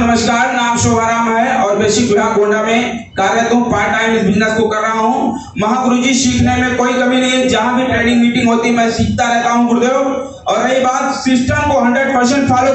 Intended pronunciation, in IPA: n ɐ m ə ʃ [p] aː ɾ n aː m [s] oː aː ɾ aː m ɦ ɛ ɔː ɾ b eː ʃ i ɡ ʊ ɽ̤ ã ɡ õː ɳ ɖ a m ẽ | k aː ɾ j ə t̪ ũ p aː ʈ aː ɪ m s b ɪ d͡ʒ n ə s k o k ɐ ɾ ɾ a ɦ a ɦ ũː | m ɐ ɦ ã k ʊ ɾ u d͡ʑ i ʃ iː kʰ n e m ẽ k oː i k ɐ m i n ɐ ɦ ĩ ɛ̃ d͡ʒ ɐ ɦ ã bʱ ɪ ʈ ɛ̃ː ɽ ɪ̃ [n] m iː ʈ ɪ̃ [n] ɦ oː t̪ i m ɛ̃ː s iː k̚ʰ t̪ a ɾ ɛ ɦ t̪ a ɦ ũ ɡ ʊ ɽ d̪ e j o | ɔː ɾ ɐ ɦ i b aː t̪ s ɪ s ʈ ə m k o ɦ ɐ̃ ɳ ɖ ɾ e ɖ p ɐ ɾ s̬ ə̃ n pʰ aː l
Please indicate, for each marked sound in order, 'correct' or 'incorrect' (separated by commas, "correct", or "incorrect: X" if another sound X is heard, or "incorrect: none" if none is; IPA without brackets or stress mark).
incorrect: k, incorrect: ʃ, incorrect: ŋ, incorrect: ŋ